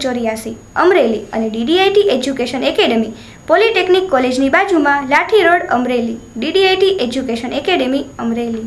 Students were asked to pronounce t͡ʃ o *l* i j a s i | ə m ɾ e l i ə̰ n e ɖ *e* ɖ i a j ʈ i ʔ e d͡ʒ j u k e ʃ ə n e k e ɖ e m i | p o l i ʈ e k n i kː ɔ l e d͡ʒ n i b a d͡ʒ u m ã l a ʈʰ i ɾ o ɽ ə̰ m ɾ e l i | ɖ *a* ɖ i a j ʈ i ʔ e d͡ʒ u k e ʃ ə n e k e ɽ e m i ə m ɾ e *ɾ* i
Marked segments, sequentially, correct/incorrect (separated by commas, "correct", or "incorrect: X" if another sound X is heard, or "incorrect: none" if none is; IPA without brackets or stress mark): incorrect: ɾ, incorrect: i, incorrect: i, incorrect: l